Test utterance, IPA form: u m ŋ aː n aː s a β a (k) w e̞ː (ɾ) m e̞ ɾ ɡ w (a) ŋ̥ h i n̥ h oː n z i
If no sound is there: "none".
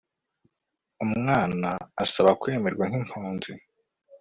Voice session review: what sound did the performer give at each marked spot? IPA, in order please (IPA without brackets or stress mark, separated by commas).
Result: k, none, a